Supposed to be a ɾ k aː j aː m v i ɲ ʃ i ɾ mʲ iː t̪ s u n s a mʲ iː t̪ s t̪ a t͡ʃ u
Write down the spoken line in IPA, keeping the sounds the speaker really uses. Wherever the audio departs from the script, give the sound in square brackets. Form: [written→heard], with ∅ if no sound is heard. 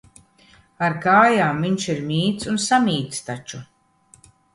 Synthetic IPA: a ɾ k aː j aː m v i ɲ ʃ i ɾ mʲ iː t̪ s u n s a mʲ iː t̪ s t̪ a t͡ʃ u